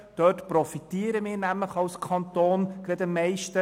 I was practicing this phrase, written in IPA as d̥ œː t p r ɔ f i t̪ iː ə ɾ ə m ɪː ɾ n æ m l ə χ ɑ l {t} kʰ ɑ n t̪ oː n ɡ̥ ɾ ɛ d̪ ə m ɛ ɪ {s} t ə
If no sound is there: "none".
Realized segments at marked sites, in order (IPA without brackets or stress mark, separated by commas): s, ʃ